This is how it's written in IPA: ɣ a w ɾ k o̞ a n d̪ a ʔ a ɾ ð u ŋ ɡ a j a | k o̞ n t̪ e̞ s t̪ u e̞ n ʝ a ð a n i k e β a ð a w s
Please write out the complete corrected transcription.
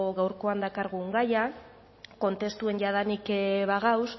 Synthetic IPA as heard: ɣ a w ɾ k o̞ a n d̪ a k a ɾ ɣ u ŋ ɡ a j a | k o̞ n t̪ e̞ s t̪ u e̞ n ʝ a ð a n i k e β a ɣ a w s